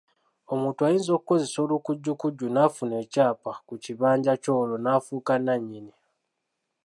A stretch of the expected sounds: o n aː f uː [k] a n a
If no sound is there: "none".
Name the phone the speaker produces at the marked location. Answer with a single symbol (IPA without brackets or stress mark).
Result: k